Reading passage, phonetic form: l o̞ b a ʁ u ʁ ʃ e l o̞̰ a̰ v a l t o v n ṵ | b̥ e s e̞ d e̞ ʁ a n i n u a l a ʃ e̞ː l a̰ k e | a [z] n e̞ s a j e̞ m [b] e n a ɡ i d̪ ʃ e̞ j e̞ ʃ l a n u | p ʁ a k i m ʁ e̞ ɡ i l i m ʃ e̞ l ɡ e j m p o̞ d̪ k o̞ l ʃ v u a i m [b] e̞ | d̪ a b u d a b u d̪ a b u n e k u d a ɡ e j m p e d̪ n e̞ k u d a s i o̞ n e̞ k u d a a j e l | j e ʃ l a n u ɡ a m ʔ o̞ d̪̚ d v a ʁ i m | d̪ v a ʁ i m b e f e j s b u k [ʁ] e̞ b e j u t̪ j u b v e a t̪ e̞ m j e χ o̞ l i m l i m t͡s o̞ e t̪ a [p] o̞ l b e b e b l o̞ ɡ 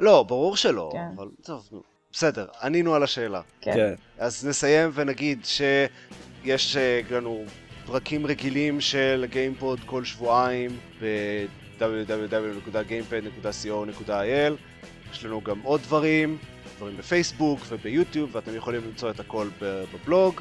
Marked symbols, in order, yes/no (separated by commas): yes, no, yes, no, no